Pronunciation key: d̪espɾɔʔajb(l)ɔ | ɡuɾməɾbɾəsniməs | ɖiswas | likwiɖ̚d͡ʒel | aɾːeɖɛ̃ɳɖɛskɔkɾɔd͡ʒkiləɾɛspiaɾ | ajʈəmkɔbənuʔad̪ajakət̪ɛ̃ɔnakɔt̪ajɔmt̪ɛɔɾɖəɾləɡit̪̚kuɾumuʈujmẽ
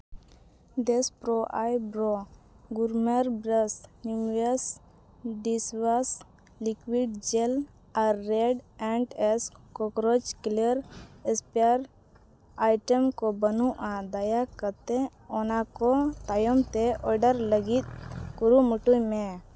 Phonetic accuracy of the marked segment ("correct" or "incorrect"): incorrect